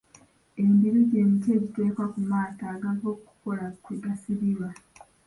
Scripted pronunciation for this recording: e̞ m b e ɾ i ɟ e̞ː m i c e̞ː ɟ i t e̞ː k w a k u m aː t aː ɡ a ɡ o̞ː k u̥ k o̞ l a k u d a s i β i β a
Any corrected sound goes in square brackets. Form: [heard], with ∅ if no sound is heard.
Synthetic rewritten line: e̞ m b [i] ɾ i ɟ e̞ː m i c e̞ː ɟ i t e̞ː k w a k u m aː t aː ɡ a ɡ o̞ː k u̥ k o̞ l a k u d a s i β i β a